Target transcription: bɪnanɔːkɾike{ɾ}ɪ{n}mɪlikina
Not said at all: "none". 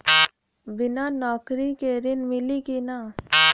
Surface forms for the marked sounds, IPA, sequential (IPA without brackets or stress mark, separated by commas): ɾ, n